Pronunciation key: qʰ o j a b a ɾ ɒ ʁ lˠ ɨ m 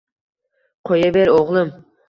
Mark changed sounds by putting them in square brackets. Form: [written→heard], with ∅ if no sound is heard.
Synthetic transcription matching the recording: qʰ o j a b [a→e] ɾ [ɒ→o] ʁ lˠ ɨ m